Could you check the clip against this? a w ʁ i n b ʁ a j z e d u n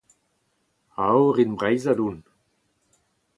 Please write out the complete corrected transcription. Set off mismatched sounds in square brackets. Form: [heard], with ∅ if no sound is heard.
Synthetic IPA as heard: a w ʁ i n b ʁ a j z [a] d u n